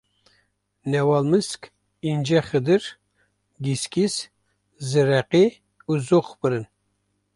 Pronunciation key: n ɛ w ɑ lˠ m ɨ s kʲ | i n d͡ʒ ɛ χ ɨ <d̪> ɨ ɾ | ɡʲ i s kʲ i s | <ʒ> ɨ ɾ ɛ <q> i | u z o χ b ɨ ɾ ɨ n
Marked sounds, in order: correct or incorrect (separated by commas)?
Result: correct, incorrect, correct